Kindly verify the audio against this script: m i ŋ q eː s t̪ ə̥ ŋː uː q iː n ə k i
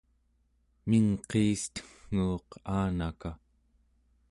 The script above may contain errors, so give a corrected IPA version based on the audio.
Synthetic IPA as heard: m i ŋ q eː s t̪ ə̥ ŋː uː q aː n a k a